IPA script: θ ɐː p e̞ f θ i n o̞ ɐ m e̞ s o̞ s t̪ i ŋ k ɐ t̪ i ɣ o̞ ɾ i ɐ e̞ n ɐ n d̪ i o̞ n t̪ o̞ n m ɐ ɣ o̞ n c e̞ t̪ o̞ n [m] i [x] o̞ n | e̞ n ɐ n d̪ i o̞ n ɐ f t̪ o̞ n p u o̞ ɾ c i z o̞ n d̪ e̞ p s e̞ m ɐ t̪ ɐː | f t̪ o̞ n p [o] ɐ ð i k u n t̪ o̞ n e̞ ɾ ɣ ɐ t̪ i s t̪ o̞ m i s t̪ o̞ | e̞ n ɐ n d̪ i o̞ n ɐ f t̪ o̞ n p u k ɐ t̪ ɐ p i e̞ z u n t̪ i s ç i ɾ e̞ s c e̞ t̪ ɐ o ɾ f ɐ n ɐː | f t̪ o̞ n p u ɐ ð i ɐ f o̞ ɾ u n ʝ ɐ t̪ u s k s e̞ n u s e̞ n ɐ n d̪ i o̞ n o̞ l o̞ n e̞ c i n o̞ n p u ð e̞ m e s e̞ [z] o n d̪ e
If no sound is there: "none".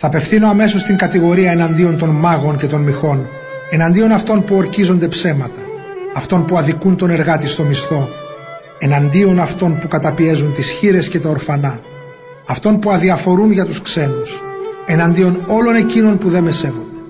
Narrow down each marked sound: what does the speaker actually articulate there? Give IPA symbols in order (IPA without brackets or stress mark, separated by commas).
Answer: m, x, u, v